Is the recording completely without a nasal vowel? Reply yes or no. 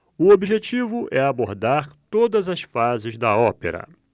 yes